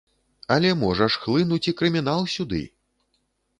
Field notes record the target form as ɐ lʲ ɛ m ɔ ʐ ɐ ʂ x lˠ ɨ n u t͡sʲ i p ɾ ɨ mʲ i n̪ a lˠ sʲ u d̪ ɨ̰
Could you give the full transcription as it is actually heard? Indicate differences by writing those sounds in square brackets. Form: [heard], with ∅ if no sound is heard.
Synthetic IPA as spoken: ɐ lʲ ɛ m ɔ ʐ ɐ ʂ x lˠ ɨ n u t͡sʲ i [k] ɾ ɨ mʲ i n̪ a lˠ sʲ u d̪ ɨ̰

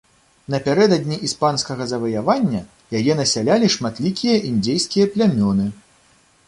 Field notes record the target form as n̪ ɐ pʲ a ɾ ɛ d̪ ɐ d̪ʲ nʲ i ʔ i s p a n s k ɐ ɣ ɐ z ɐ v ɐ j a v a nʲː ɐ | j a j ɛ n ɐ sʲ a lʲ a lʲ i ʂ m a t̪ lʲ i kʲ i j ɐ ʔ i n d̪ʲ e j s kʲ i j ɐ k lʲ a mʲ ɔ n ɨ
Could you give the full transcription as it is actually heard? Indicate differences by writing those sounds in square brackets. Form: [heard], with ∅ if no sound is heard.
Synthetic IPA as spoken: n̪ ɐ pʲ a ɾ ɛ d̪ ɐ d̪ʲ nʲ i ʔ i s p a n s k ɐ ɣ ɐ z ɐ v ɐ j a v a nʲː ɐ | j a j ɛ n ɐ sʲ a lʲ a lʲ i ʂ m a t̪ lʲ i kʲ i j ɐ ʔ i n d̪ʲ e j s kʲ i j ɐ [p] lʲ a mʲ ɔ n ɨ

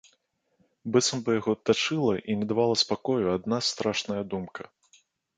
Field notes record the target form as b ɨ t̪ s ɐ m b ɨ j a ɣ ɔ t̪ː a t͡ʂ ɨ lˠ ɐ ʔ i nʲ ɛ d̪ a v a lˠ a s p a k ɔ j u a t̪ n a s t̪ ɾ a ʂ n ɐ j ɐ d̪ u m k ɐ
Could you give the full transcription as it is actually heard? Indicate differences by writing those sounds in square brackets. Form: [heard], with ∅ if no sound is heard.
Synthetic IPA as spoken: b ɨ t̪ s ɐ m b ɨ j a ɣ ɔ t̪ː a t͡ʂ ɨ lˠ ɐ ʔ i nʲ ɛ d̪ a v a lˠ [ɐ] s p a k ɔ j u a [d̪] n a s t̪ ɾ a ʂ n ɐ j ɐ d̪ u m k ɐ

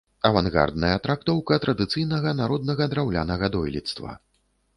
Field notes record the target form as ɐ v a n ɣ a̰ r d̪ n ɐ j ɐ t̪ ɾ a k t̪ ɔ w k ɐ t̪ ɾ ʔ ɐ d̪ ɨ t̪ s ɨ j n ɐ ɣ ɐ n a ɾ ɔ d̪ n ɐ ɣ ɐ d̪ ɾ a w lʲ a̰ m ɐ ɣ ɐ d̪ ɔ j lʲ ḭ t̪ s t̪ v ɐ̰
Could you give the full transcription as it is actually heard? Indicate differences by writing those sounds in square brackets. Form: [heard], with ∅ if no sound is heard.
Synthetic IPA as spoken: ɐ v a n ɣ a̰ r d̪ n ɐ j ɐ t̪ ɾ a k t̪ ɔ w k ɐ t̪ ɾ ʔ ɐ d̪ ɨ t̪ s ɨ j n ɐ ɣ ɐ n a ɾ ɔ d̪ n ɐ ɣ ɐ d̪ ɾ a w lʲ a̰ [n] ɐ ɣ ɐ d̪ ɔ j lʲ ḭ t̪ s t̪ v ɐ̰

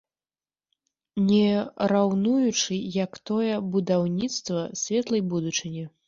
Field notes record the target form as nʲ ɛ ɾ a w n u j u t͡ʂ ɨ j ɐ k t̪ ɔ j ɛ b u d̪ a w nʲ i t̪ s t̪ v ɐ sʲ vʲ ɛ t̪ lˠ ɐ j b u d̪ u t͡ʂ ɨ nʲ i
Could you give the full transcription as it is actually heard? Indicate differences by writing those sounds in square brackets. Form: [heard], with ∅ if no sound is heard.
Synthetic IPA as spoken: nʲ ɛ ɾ a w n u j u t͡ʂ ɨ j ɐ k t̪ ɔ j ɛ b u d̪ a w nʲ i t̪ s t̪ v ɐ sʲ vʲ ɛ t̪ lˠ ɐ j b u d̪ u t͡ʂ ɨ nʲ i

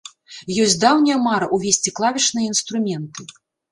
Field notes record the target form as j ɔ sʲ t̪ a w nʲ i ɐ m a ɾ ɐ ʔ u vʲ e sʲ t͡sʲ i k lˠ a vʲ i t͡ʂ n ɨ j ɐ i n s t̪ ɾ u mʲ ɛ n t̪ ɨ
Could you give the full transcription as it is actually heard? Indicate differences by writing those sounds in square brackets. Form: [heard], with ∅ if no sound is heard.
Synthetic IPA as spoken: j ɔ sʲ [d̪] a w nʲ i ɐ m a ɾ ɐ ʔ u vʲ e sʲ t͡sʲ i k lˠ a vʲ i t͡ʂ n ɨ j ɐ i n s t̪ ɾ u mʲ ɛ n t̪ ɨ

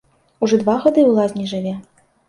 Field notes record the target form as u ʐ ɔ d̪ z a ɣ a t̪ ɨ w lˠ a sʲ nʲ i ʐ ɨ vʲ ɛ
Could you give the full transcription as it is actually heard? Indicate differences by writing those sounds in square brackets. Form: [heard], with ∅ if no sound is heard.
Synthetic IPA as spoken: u ʐ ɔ d̪ [v] a ɣ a [d̪] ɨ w lˠ a [zʲ] nʲ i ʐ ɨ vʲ ɛ

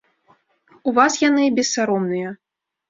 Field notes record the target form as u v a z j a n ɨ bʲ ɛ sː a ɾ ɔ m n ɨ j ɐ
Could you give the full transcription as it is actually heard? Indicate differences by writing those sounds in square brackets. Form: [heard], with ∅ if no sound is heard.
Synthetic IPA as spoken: u v a [s] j a n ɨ bʲ ɛ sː a ɾ ɔ m n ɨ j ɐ

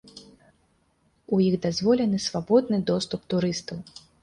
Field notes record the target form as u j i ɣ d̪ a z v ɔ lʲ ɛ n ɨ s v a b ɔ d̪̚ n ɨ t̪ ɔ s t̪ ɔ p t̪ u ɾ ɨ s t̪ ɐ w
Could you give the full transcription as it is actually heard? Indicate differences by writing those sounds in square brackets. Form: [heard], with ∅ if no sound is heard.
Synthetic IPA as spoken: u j i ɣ d̪ a z v ɔ lʲ ɛ n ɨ s v a b ɔ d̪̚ n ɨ [d̪] ɔ s t̪ [u] p t̪ u ɾ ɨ s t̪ ɐ w

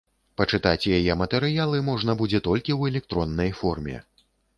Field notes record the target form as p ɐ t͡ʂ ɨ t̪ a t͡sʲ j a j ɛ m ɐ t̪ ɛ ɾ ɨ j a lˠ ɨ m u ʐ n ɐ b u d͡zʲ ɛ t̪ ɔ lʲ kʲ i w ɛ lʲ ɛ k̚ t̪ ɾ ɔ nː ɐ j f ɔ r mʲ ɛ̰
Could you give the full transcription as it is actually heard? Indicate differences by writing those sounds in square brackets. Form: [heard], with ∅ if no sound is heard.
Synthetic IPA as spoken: p ɐ t͡ʂ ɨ t̪ a t͡sʲ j a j ɛ m ɐ t̪ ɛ ɾ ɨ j a lˠ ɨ m [ɔ] ʐ n ɐ b u d͡zʲ ɛ t̪ ɔ lʲ kʲ i w ɛ lʲ ɛ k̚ t̪ ɾ ɔ nː ɐ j f ɔ r mʲ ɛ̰

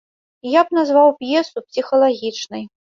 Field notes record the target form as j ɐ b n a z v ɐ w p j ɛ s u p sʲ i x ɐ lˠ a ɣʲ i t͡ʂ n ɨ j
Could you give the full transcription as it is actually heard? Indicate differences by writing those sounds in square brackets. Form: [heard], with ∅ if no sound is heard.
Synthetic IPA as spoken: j [a] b n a z v [a] w p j ɛ s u p sʲ i x ɐ lˠ a ɣʲ i t͡ʂ n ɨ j

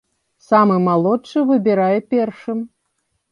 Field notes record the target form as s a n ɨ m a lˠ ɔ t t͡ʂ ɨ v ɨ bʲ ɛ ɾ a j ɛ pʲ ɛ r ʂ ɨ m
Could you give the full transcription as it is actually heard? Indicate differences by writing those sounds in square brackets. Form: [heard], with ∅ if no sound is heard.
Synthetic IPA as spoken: s a [m] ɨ m a lˠ ɔ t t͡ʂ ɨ v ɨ bʲ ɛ ɾ a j ɛ pʲ ɛ r ʂ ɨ m

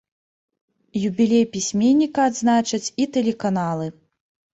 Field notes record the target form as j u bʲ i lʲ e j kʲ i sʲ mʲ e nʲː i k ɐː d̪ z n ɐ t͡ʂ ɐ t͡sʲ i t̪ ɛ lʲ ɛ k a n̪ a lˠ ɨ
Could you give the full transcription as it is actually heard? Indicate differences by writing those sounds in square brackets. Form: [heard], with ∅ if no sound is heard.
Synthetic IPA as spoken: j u bʲ i lʲ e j [pʲ] i sʲ mʲ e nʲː i k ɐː d̪ z n [a] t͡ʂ ɐ t͡sʲ i t̪ ɛ lʲ ɛ k a n̪ a lˠ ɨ

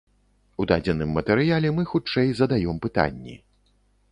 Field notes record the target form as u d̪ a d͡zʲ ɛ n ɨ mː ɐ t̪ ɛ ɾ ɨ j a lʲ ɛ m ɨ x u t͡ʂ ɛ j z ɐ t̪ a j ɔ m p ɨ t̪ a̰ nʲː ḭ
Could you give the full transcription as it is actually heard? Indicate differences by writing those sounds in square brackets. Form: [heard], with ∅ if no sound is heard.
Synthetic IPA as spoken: u d̪ a d͡zʲ ɛ n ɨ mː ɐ t̪ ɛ ɾ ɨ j a lʲ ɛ m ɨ x u t͡ʂ ɛ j z ɐ [d̪] a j ɔ m p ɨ t̪ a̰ nʲː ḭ

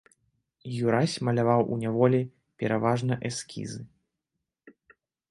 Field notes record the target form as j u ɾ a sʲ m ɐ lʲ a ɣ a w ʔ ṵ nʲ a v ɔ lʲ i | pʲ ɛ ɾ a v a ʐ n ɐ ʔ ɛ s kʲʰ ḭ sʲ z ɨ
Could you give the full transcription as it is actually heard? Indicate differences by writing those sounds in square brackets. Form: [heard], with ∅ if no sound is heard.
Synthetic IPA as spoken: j u ɾ a sʲ m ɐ lʲ a [v] a w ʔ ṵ nʲ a v ɔ lʲ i | pʲ ɛ ɾ a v a ʐ n ɐ ʔ ɛ s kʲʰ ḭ [∅] z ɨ

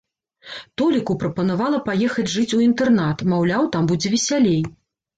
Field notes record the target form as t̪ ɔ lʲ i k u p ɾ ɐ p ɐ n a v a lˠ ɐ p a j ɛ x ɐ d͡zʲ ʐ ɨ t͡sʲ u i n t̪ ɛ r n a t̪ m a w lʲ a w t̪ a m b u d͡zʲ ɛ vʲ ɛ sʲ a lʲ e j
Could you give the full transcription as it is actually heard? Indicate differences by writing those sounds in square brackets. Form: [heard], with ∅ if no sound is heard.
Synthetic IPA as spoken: t̪ ɔ lʲ i k u p ɾ ɐ p ɐ n a v a lˠ ɐ p a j ɛ x ɐ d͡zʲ ʐ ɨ t͡sʲ u i n t̪ ɛ r n a t̪ m a w lʲ a w t̪ a m b u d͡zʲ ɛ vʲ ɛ sʲ a lʲ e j

